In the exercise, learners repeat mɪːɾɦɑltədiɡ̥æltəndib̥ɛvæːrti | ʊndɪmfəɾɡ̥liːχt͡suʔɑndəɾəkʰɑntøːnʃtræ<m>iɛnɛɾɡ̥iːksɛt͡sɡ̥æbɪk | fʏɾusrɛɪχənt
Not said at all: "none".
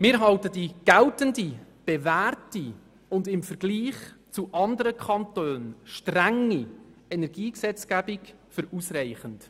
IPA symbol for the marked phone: ŋ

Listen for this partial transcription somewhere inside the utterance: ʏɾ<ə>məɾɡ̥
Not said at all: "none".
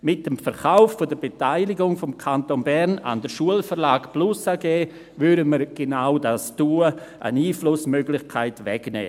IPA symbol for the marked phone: ə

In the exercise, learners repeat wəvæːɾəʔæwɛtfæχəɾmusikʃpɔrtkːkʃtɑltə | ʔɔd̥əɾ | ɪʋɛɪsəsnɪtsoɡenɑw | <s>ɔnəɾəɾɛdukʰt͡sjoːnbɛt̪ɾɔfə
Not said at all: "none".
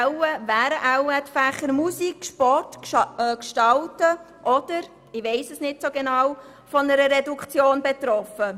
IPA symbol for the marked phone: f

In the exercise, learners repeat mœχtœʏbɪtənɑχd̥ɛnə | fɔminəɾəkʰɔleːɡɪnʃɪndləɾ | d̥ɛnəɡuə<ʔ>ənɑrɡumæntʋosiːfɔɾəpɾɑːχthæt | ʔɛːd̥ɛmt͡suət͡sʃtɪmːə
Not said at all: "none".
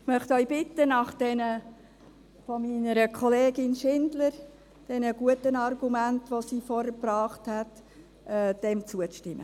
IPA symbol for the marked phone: t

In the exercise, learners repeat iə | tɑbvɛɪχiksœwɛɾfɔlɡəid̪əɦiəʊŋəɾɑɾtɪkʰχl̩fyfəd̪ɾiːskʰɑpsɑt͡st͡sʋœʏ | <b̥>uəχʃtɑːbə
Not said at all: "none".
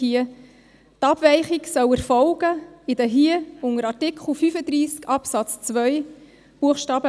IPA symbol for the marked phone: b̥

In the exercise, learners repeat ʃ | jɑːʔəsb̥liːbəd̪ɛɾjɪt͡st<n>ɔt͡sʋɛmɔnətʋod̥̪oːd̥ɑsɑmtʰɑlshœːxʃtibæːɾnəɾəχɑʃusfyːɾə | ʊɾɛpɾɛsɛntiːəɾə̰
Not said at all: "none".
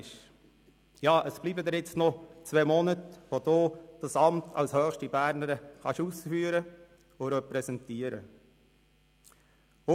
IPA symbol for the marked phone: n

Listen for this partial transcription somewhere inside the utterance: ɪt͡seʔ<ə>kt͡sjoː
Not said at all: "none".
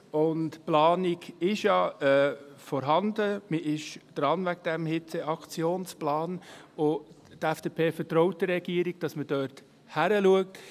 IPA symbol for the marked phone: ɑ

